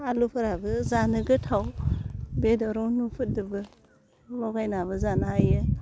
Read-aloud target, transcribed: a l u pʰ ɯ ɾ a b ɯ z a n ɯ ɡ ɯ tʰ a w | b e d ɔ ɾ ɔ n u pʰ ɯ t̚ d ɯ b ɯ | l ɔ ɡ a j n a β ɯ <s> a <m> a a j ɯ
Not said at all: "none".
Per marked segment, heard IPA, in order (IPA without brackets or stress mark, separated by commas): z, n